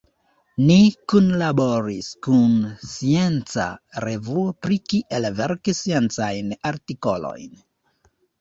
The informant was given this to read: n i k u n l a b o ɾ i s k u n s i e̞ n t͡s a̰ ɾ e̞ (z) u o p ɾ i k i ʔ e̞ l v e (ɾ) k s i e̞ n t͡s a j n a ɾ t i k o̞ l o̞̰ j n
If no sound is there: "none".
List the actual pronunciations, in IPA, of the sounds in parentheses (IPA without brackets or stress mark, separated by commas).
v, ɾ